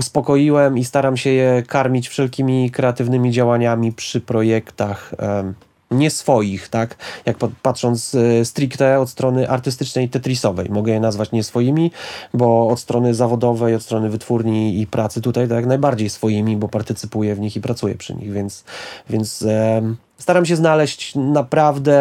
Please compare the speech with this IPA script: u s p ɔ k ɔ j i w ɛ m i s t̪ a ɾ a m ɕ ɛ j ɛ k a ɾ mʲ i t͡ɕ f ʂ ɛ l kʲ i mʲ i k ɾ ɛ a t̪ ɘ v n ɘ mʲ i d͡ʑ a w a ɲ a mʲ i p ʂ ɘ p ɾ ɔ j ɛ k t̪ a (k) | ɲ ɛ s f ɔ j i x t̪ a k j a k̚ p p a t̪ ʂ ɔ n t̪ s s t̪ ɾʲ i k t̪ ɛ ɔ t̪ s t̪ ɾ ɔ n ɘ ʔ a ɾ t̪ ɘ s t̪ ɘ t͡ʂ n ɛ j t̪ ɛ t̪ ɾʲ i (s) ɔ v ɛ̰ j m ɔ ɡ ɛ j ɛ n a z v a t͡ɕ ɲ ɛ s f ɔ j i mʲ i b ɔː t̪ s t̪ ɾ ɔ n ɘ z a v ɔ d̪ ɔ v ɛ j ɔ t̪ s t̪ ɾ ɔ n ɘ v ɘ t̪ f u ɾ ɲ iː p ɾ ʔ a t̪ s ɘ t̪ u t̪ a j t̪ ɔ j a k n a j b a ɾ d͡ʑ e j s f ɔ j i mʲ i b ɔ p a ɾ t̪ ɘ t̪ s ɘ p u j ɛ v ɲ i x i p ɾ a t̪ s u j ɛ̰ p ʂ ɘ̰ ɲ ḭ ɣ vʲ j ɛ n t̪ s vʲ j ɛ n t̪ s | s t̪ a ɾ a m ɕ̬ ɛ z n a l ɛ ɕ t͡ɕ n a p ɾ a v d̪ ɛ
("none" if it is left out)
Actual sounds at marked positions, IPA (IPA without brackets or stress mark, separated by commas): x, s